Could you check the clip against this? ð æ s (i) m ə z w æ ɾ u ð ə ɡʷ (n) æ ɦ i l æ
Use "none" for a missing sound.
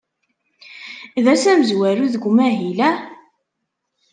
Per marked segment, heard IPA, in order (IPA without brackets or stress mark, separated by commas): æ, m